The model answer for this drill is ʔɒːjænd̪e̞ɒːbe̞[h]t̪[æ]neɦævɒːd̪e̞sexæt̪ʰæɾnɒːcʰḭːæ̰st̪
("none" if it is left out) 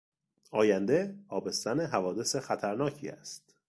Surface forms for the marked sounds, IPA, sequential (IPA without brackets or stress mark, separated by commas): s, æ